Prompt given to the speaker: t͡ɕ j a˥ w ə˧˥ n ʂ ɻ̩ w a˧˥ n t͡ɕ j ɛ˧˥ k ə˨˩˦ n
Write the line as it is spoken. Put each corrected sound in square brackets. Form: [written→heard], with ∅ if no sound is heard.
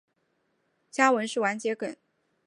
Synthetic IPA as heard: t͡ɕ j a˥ w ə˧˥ n ʂ ɻ̩ w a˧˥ n t͡ɕ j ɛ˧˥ k ə˨˩˦ n